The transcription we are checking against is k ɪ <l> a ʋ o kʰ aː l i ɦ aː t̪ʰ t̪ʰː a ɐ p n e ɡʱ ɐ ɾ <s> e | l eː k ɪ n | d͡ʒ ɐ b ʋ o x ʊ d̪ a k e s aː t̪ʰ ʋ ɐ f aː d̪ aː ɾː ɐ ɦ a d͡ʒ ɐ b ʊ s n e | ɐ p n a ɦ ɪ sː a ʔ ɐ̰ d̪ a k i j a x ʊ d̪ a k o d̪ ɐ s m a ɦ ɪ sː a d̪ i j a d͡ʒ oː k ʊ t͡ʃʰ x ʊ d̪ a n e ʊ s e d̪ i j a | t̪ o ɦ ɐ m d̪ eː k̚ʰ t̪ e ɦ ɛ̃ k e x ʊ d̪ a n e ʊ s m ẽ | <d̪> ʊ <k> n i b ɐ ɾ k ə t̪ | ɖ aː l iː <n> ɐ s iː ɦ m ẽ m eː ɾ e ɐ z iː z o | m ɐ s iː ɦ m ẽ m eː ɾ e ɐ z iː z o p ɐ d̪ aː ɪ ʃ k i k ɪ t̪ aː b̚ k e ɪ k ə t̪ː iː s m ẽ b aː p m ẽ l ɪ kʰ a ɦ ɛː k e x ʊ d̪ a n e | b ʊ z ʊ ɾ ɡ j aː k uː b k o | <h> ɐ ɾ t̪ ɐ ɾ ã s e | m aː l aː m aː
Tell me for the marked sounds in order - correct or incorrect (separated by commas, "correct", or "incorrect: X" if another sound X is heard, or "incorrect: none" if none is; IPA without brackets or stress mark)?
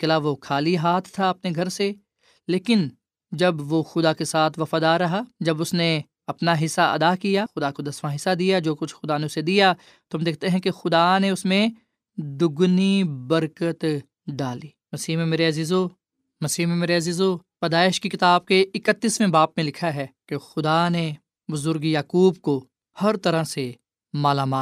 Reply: correct, correct, correct, incorrect: ɡ, incorrect: m, correct